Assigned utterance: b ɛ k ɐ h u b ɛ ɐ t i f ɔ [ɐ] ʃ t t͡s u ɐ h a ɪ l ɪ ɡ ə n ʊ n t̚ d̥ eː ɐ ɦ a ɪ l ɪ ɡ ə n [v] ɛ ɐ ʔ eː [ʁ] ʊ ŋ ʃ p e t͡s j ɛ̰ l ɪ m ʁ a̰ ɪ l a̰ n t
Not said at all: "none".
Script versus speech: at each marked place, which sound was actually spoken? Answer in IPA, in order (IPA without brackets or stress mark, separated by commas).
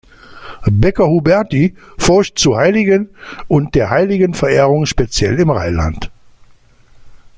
ɐ, f, ʁ